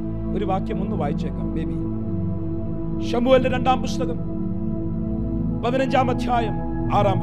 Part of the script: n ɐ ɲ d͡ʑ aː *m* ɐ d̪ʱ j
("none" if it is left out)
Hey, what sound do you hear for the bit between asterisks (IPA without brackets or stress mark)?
m